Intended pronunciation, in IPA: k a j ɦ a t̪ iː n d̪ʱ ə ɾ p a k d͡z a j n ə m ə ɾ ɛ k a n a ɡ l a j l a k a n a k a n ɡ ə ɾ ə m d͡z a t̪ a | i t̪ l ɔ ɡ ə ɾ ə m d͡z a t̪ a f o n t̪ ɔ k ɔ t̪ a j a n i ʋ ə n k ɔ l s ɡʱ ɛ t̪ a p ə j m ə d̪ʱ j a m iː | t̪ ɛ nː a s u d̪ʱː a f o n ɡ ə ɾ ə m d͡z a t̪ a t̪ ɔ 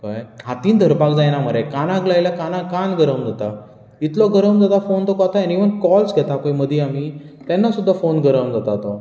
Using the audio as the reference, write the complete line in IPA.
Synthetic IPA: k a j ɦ a t̪ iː n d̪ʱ ə ɾ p a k d͡z a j n a m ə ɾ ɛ k a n a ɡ l a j l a k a n a k a n ɡ ə ɾ ə m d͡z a t̪ a | i t̪ l ɔ ɡ ə ɾ ə m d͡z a t̪ a f o n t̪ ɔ k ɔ t̪ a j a n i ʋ ə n k ɔ l s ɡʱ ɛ t̪ a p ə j m ə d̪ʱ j a m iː | t̪ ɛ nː a s u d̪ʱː a f o n ɡ ə ɾ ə m d͡z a t̪ a t̪ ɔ

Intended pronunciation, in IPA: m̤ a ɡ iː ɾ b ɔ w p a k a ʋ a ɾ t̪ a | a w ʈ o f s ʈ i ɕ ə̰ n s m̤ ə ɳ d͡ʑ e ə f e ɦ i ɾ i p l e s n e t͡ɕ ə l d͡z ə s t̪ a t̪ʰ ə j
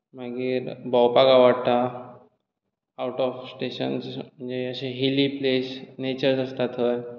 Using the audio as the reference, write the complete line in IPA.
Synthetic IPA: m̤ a ɡ iː ɾ b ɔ w p a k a ʋ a ɽ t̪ a | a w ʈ ɔ f s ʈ e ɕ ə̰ n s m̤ ə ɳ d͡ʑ e ə ɕ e ɦ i l i p l e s n e t͡ɕ ə ɾ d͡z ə s t̪ a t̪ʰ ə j

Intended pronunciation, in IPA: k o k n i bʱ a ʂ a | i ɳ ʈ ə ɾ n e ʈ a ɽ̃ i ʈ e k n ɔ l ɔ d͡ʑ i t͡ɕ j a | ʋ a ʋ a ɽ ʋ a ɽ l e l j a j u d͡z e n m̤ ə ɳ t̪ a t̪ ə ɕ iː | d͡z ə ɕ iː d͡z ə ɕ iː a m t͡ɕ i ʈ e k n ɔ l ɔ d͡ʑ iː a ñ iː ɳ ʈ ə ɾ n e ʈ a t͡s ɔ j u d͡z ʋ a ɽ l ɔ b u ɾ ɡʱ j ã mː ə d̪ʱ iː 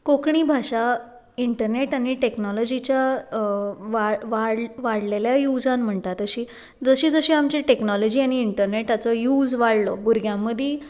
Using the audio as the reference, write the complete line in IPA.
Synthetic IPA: k o k ɳ i bʱ a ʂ a | i ɳ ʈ ə ɾ n e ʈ a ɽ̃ i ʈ e k n ɔ l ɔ d͡ʑ i t͡ɕ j a | ʋ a ʋ a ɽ ʋ a ɽ l e l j a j u d͡z a n m̤ ə ɳ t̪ a t̪ ə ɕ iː | d͡z ə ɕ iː d͡z ə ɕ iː a m t͡ɕ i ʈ e k n ɔ l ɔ d͡ʑ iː a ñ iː ɳ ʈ ə ɾ n e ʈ a t͡s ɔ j u d͡z ʋ a ɽ l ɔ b u ɾ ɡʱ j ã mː ə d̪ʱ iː

